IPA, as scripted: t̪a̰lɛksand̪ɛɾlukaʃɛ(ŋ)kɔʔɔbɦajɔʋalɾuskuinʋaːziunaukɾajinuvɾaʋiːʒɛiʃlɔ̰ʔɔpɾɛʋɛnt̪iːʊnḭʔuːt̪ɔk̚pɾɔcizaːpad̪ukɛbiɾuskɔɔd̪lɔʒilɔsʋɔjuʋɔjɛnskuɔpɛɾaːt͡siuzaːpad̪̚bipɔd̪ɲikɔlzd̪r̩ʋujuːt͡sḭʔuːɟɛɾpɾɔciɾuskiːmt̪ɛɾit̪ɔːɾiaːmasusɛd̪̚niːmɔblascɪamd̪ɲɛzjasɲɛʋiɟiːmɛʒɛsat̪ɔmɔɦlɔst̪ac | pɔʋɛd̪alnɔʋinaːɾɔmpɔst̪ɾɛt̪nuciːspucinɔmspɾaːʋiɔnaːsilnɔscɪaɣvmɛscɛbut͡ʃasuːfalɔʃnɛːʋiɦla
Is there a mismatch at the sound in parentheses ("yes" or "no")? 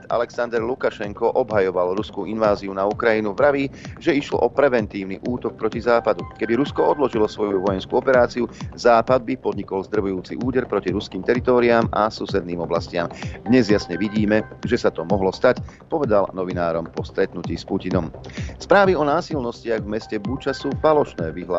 no